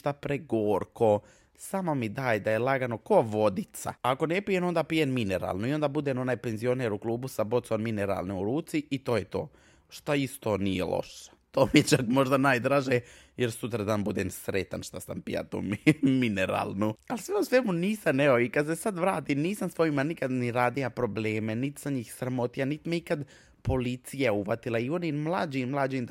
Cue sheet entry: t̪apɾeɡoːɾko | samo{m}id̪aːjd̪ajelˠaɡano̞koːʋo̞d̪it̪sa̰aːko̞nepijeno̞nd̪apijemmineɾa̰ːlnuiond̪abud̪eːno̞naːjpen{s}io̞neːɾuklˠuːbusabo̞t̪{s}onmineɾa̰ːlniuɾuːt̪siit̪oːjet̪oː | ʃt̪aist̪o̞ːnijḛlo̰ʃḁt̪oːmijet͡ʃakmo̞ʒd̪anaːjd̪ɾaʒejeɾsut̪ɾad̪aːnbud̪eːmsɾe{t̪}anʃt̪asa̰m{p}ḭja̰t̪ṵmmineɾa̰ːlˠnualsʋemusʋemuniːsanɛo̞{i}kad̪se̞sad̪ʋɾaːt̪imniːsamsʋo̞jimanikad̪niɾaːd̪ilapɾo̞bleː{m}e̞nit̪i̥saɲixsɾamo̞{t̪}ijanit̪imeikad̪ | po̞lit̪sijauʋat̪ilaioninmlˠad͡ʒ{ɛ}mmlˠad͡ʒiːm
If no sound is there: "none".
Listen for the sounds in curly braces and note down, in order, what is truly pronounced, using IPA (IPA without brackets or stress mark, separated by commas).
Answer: m, z, s, t̪, p, i, m, t̪, i